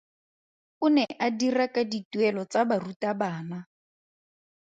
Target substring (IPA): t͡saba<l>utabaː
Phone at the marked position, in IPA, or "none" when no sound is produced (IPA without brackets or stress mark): r